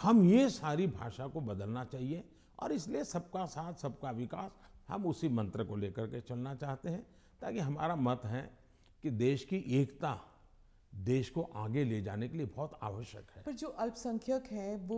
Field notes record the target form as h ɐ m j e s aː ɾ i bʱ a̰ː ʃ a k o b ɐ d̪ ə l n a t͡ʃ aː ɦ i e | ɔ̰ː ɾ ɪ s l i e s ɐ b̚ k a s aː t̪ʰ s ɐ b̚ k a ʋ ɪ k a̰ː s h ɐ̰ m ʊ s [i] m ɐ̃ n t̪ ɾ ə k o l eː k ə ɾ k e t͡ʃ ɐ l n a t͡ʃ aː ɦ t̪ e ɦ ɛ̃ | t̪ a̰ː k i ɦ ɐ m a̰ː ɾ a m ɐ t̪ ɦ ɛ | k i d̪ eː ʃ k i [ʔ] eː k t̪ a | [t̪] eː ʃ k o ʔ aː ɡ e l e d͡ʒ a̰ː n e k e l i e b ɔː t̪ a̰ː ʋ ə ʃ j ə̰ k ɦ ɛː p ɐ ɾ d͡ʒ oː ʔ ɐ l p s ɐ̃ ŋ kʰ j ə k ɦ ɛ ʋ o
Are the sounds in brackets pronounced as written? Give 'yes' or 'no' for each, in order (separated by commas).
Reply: yes, yes, no